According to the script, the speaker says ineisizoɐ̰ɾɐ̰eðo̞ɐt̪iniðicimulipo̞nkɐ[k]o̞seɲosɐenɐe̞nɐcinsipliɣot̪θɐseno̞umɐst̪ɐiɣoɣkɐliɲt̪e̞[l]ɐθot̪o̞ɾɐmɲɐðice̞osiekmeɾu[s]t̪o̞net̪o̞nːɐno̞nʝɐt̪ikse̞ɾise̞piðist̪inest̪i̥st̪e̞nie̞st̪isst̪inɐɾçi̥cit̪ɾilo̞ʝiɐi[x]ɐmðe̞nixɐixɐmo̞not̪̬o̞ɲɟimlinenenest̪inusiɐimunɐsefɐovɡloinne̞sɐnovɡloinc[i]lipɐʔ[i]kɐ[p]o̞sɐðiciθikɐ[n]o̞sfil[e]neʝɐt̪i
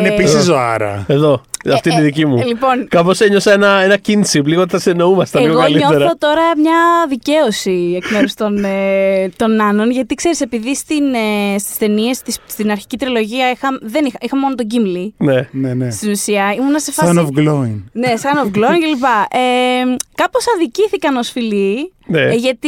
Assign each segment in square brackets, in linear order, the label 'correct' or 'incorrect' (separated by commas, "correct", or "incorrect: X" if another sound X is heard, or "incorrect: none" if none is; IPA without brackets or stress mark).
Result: incorrect: p, incorrect: ɾ, correct, correct, incorrect: e, incorrect: e, correct, correct, incorrect: i